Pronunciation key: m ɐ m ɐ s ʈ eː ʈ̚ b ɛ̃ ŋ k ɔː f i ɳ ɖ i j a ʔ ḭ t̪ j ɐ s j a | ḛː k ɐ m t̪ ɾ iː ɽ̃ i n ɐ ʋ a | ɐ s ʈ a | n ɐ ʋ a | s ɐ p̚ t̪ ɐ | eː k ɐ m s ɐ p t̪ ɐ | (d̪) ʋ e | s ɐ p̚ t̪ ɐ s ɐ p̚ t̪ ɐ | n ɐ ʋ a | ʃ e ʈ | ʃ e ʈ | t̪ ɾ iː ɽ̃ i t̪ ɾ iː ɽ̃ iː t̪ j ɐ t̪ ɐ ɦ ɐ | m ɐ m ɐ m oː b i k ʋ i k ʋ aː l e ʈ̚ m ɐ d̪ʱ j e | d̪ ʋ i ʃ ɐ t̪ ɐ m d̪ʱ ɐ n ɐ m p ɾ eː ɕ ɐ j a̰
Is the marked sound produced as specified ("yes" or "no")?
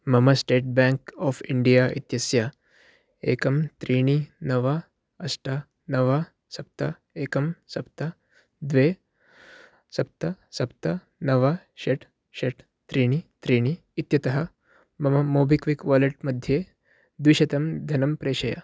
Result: yes